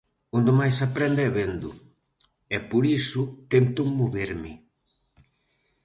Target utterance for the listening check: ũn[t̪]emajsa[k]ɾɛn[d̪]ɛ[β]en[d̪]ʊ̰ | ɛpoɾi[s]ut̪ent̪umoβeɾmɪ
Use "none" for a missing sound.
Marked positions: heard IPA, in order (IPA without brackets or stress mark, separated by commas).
d̪, p, d̪, β, d̪, s